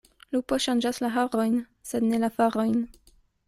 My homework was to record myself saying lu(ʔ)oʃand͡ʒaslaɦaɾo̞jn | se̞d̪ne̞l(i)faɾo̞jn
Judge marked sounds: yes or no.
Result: no, no

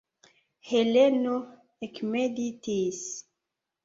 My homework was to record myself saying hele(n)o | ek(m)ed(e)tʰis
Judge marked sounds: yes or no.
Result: yes, yes, no

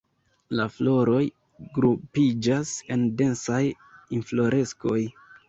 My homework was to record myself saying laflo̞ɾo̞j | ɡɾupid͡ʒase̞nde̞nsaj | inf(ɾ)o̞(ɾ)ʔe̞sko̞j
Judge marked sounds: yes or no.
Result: no, yes

